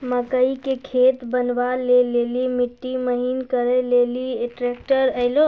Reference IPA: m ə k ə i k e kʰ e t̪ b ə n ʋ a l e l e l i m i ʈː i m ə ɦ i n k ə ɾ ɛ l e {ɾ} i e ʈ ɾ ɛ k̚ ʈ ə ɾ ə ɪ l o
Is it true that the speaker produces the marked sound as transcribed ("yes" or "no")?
no